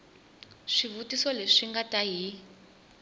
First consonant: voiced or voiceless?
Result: voiceless